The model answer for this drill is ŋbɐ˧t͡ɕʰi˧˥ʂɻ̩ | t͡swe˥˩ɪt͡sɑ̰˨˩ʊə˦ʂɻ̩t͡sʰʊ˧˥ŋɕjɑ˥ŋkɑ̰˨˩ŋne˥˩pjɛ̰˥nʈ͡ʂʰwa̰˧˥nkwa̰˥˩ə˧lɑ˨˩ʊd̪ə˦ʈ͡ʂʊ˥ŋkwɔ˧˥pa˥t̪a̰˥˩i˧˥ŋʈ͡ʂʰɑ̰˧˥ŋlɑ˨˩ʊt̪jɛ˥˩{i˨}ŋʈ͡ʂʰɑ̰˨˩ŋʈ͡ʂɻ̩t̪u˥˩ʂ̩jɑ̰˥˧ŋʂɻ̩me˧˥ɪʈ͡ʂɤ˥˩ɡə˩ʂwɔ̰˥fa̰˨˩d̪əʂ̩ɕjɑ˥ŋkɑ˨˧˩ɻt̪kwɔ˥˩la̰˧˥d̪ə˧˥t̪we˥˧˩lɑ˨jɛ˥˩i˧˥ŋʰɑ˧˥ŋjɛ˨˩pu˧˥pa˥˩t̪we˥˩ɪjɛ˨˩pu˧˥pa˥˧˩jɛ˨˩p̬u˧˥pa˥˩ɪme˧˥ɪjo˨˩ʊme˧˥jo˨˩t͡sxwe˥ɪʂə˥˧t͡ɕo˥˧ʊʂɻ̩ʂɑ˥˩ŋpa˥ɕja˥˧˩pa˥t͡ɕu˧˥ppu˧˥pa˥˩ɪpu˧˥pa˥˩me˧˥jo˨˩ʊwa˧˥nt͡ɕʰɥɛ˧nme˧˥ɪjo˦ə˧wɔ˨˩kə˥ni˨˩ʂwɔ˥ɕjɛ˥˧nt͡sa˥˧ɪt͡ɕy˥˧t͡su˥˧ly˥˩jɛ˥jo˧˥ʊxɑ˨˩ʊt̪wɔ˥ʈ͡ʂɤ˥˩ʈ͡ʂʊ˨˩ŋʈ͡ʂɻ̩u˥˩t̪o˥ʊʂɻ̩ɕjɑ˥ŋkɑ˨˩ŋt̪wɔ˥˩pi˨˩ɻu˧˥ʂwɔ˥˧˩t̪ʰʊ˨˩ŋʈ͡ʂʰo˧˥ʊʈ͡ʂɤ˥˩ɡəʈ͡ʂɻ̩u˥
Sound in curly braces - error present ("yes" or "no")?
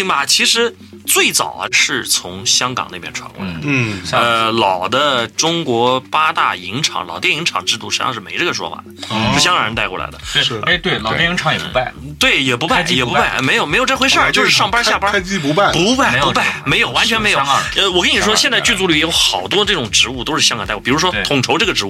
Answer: yes